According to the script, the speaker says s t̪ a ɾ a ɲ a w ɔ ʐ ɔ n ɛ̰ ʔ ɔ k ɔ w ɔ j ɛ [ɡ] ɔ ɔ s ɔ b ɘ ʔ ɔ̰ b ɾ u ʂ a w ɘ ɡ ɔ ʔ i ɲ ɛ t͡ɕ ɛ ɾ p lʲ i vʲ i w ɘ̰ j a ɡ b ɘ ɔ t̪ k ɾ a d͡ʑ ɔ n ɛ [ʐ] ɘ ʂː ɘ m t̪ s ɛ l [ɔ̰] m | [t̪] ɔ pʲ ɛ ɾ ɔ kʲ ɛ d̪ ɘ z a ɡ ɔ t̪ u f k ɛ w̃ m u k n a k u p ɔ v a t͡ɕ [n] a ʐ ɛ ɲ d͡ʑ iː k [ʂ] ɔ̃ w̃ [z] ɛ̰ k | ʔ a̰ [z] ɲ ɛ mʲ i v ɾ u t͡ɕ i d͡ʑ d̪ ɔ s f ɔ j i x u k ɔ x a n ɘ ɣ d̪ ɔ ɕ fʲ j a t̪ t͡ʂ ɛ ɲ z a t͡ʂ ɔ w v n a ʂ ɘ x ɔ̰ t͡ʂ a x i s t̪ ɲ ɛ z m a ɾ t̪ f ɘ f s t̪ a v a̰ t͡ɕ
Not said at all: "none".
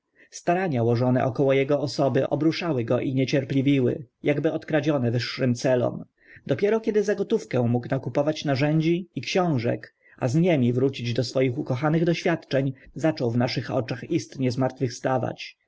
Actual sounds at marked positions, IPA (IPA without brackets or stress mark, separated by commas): ɡ, v, ɔ̰, d̪, n, ɕ, ʐ, z